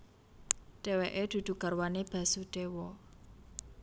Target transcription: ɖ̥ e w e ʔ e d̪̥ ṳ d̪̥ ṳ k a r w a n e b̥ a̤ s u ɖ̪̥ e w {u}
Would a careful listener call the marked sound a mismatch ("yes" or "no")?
yes